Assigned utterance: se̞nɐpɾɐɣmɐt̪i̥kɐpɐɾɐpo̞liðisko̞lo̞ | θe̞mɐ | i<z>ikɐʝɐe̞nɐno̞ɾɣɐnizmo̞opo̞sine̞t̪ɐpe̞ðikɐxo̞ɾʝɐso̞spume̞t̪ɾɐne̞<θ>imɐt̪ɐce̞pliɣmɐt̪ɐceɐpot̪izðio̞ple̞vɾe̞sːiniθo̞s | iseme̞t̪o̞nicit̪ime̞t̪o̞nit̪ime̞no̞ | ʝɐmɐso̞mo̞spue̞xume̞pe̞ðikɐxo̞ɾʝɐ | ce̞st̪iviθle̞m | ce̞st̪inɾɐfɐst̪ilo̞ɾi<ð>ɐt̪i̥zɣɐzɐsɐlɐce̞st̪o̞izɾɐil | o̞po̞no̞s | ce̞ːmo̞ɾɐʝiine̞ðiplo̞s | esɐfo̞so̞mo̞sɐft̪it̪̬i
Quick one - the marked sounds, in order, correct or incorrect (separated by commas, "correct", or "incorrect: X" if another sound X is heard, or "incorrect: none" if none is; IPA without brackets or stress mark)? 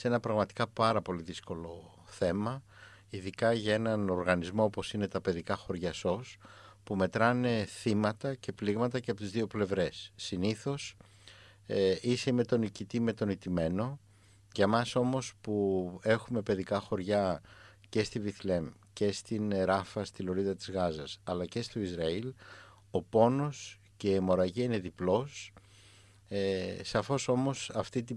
incorrect: ð, correct, correct